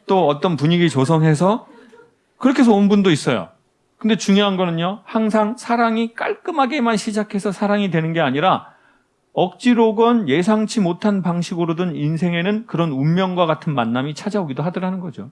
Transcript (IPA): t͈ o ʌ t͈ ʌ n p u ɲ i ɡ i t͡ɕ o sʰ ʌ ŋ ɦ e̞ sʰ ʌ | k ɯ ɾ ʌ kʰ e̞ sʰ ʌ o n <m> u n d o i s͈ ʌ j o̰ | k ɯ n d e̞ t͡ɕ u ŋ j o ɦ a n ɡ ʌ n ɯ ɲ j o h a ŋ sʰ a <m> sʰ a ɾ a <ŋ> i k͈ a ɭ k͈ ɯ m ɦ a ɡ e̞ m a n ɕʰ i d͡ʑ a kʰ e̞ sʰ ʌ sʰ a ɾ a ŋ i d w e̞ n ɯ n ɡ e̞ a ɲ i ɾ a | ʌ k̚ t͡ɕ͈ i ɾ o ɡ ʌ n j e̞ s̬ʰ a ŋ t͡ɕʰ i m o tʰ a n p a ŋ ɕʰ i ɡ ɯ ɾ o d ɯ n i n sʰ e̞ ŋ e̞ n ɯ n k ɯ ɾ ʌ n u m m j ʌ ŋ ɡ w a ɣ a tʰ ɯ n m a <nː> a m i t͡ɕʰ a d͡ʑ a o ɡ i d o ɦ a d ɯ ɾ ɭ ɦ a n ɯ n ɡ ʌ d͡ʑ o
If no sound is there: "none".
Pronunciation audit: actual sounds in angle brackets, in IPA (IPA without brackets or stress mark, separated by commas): b, ŋ, ŋ, nː